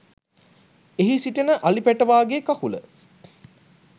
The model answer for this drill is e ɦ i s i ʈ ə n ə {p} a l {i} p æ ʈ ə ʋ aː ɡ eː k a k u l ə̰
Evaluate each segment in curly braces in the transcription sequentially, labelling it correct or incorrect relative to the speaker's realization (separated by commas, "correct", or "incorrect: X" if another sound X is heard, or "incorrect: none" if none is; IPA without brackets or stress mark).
incorrect: ʔ, correct